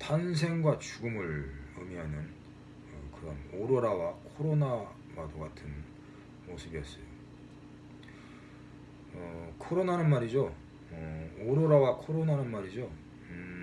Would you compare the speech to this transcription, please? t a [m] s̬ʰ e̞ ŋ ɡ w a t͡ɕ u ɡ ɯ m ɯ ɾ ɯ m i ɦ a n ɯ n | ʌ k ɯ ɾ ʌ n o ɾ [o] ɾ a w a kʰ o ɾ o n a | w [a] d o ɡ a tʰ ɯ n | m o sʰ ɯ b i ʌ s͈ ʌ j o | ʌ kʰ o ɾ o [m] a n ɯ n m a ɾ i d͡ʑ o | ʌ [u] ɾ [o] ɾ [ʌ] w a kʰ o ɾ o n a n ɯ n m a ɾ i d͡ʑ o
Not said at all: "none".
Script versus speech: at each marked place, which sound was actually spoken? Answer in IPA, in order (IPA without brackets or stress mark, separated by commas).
n, o, a, n, o, o, a